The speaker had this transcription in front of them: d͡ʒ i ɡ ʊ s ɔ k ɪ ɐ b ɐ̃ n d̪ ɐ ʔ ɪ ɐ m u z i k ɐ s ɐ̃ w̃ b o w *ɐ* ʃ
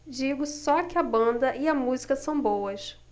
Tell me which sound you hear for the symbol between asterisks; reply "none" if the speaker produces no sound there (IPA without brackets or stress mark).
ɐ